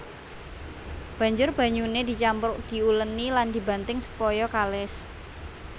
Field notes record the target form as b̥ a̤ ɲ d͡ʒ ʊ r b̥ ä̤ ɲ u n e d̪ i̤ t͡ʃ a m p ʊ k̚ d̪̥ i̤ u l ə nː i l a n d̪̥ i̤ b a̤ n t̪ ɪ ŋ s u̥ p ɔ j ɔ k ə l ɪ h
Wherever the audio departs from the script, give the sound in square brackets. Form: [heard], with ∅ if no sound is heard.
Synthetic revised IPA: b̥ a̤ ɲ d͡ʒ ʊ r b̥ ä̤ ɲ u n e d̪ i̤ t͡ʃ a m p ʊ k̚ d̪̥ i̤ u l ə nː i l a n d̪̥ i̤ b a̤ n t̪ ɪ ŋ s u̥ p ɔ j ɔ k [a] l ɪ [s]